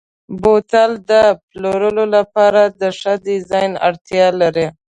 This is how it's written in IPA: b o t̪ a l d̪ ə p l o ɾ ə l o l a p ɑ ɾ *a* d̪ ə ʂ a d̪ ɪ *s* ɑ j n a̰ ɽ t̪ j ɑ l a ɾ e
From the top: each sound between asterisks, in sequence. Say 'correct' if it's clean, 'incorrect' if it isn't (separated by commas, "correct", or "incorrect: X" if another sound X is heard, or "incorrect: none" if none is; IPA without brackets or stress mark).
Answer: correct, incorrect: z